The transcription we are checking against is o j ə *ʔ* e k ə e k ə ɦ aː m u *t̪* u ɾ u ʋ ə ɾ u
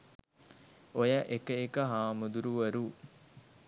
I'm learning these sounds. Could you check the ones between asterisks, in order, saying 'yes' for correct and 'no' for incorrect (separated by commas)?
yes, no